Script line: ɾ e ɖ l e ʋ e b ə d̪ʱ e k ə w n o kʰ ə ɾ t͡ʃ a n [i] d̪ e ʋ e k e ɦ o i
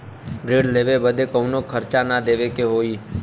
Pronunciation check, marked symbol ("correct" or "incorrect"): incorrect